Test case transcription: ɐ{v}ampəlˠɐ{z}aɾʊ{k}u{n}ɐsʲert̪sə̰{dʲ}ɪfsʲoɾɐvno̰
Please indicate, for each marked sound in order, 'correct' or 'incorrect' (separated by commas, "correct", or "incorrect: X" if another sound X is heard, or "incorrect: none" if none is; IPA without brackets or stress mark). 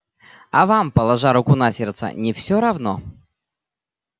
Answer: correct, incorrect: ʐ, correct, correct, incorrect: nʲ